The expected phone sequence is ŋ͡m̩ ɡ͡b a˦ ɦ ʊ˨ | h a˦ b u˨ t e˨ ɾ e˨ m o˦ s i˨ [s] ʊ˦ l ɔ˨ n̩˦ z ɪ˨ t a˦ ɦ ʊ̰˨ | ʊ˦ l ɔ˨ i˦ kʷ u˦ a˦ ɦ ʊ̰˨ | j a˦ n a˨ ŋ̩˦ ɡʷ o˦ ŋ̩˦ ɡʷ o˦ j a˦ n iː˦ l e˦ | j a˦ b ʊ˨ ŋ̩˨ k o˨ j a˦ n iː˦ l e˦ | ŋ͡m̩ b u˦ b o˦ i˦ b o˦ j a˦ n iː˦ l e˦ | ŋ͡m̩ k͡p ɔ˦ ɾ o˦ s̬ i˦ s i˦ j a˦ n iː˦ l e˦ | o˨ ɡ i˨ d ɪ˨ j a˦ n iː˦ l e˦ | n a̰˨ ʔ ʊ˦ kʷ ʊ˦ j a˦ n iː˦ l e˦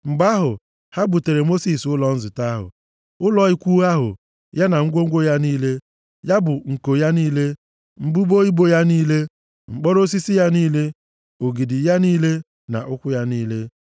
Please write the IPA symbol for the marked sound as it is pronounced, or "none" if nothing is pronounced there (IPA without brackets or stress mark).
s